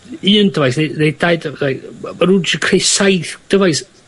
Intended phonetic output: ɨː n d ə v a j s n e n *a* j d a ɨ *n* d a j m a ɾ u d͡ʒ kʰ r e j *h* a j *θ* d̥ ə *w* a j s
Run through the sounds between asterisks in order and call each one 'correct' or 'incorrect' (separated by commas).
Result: incorrect, incorrect, incorrect, correct, incorrect